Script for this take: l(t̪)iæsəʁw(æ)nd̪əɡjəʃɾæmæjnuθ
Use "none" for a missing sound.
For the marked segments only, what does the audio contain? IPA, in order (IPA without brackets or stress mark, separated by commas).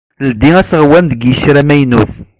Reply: d̪, æ